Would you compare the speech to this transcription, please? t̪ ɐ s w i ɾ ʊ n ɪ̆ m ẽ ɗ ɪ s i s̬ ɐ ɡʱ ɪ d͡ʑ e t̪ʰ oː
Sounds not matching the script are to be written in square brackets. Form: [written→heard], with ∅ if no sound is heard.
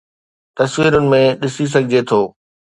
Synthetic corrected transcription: t̪ ɐ s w [i→iː] ɾ ʊ n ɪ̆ m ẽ ɗ ɪ s i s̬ ɐ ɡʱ ɪ d͡ʑ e t̪ʰ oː